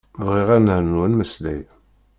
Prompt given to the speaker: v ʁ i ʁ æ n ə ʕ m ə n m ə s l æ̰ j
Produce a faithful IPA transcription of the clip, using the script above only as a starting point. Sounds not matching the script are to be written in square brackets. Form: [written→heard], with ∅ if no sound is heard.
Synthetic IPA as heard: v ʁ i ʁ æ n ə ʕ [m→n] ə n m ə s l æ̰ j